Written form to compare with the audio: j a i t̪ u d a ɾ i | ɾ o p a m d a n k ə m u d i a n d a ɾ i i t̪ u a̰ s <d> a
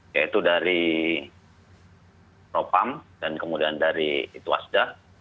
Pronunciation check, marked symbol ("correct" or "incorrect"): correct